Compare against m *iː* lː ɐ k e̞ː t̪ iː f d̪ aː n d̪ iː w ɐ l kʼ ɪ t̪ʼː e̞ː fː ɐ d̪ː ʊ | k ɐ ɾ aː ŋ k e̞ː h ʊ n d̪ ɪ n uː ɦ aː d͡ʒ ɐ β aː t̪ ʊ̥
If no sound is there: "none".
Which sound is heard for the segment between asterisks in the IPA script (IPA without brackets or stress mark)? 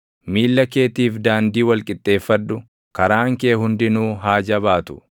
iː